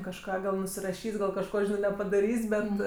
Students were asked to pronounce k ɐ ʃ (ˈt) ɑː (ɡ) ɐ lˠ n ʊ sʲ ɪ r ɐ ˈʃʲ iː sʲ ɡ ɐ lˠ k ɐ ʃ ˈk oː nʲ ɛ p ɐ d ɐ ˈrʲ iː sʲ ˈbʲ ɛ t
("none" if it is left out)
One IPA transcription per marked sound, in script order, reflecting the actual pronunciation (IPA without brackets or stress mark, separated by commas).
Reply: k, ɡ